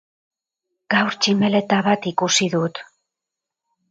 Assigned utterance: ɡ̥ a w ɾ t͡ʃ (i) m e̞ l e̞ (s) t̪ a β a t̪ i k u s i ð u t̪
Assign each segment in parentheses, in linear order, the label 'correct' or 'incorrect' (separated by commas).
correct, incorrect